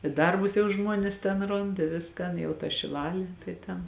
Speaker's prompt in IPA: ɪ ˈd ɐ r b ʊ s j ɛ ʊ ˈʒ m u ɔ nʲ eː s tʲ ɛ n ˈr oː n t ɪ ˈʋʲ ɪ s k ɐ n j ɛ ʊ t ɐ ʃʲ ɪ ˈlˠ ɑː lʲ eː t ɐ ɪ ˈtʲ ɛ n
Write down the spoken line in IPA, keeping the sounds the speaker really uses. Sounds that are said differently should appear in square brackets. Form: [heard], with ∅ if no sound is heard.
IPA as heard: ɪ ˈd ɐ r b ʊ s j ɛ ʊ ˈʒ m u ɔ nʲ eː s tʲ ɛ n ˈr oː n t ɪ ˈʋʲ ɪ s k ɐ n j ɛ ʊ t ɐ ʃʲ ɪ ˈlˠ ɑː lʲ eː t ɐ ɪ ˈtʲ ɛ n